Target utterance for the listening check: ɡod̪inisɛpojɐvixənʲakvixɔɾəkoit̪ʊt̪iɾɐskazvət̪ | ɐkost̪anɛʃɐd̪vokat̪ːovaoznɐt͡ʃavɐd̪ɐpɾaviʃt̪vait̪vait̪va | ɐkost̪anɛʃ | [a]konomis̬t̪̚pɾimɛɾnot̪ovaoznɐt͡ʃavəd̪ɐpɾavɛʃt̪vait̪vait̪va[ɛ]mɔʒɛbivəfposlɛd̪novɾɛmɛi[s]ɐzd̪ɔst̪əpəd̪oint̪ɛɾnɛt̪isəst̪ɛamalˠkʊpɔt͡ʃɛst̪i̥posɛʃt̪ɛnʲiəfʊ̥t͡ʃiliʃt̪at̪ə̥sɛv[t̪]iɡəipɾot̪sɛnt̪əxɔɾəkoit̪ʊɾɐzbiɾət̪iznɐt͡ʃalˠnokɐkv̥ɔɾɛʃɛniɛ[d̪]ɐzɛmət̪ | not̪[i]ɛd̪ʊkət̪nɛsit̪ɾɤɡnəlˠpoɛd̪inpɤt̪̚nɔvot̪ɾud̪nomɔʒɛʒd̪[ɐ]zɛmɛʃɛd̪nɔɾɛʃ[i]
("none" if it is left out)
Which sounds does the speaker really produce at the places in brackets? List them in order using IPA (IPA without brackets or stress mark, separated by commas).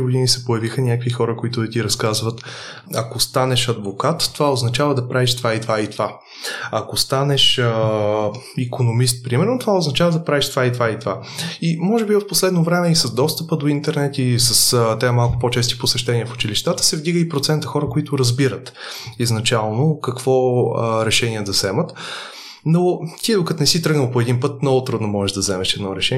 i, i, s, d̪, d̪, i, ɐ, ɛ